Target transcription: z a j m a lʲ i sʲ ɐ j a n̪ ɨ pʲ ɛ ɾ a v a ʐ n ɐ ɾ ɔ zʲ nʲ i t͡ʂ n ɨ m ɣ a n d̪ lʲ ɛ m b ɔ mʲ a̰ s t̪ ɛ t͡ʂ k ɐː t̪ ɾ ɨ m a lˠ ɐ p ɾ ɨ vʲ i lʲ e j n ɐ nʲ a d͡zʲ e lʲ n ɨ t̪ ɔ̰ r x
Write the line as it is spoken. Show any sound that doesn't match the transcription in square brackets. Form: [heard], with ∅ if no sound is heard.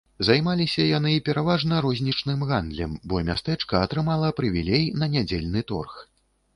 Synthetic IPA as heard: z a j m a lʲ i sʲ ɐ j a n̪ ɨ pʲ ɛ ɾ a v a ʐ n ɐ ɾ ɔ zʲ nʲ i t͡ʂ n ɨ m ɣ a n d̪ lʲ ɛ m b ɔ mʲ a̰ s t̪ ɛ t͡ʂ k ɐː t̪ ɾ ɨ m a lˠ ɐ p ɾ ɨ vʲ i lʲ e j n ɐ nʲ a d͡zʲ e lʲ n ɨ t̪ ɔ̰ r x